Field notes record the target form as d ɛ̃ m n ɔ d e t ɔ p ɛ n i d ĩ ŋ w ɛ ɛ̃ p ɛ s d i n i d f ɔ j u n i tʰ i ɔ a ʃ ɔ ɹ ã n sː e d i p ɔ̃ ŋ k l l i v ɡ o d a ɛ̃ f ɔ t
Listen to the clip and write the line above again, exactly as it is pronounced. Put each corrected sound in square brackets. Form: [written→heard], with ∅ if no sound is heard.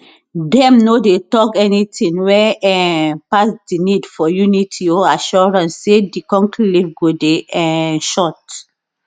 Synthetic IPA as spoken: d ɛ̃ m n [ɔ→o] d e t ɔ [p→k] ɛ n i [d→t] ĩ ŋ w ɛ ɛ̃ p [ɛ→a] s d i n i d f ɔ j u n i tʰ i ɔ a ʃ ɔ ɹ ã n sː e d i [p→k] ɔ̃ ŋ k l l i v ɡ o d [a→e] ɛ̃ [f→ʃ] ɔ t